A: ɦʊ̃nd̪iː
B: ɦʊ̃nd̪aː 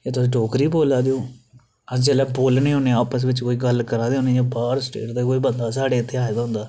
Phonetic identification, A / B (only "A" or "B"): B